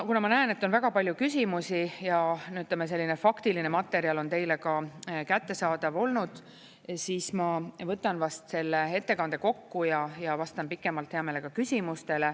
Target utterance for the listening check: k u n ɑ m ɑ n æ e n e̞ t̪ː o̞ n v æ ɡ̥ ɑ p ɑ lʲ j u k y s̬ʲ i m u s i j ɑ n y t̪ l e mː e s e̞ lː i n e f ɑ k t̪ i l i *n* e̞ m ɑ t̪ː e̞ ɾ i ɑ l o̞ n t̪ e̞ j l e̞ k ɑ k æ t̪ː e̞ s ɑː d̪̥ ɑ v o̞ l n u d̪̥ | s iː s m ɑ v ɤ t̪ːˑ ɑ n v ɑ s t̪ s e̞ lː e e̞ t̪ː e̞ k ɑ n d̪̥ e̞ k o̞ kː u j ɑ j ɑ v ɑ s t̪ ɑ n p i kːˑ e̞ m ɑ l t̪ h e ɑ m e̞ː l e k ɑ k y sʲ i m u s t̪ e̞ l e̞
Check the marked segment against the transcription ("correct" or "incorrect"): correct